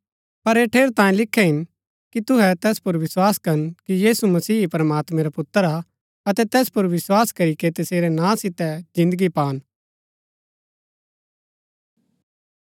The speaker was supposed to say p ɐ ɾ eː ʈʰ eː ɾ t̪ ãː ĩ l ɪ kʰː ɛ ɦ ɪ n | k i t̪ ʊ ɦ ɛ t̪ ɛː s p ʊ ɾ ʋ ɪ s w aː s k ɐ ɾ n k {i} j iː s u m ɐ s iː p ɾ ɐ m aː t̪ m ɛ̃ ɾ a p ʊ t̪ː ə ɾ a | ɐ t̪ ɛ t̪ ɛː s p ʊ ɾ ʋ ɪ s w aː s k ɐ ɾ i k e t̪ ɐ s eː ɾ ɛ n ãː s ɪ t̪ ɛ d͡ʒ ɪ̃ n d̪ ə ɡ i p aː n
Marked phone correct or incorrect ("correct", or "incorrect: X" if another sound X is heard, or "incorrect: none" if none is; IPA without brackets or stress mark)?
correct